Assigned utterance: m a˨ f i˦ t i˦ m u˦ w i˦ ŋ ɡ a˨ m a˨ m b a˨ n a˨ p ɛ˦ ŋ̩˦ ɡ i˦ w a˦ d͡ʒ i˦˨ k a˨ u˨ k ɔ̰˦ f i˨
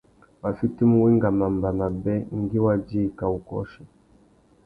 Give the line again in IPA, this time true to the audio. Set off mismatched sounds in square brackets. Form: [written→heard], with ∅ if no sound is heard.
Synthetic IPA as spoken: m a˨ f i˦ t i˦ m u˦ w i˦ ŋ ɡ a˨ m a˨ m b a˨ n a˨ [p→b] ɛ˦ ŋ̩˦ ɡ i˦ w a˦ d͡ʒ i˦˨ k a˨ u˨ k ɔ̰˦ [f→ʃ] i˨